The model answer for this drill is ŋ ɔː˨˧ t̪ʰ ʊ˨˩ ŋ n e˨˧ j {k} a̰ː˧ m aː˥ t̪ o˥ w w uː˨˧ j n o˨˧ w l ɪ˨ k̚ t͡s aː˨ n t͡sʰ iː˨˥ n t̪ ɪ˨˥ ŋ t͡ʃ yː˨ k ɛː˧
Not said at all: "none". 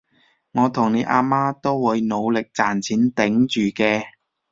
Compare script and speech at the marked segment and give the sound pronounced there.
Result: ʔ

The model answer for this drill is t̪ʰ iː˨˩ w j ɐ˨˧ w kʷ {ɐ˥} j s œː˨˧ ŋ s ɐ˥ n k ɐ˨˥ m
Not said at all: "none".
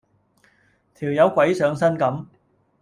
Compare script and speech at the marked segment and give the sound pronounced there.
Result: ɐ˨˥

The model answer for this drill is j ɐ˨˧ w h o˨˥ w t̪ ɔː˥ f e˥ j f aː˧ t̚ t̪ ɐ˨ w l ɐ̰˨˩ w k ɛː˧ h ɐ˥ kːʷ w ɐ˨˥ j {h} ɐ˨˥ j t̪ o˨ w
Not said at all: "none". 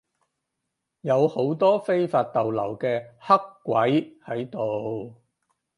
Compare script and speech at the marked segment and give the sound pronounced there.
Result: h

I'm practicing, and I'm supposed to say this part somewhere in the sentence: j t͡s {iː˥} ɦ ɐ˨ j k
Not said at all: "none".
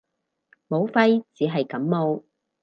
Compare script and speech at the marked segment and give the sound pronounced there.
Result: iː˨˧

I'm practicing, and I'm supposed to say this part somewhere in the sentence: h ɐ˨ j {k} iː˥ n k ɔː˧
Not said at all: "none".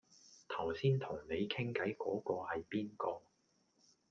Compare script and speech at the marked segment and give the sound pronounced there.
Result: p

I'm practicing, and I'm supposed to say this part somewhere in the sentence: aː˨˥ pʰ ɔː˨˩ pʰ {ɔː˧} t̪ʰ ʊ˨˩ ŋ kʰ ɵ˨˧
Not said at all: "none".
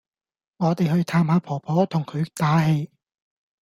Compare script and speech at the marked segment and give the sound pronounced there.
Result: ɔː˨˥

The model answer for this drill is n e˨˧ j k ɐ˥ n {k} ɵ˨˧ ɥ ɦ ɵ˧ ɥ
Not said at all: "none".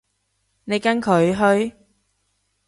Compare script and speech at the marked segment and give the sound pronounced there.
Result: kʰ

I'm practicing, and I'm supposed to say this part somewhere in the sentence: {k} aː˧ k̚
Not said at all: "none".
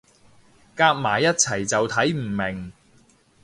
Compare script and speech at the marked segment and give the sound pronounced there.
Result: k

